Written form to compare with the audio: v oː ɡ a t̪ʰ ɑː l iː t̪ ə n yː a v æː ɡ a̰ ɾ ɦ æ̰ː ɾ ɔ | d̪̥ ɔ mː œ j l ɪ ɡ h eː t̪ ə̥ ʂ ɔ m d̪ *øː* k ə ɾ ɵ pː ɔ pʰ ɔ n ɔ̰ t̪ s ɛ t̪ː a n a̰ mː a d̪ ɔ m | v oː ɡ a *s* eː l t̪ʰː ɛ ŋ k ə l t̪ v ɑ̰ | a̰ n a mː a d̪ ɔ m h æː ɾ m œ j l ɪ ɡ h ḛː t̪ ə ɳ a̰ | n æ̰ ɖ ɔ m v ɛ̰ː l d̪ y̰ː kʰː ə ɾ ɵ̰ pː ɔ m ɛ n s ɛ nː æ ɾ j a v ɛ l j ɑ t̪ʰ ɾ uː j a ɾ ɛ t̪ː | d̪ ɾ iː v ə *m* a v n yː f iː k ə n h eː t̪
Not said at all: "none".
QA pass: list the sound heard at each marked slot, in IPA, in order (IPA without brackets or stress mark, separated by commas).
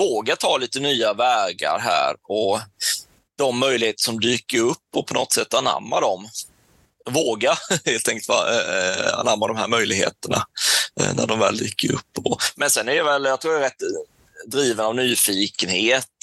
yː, h, n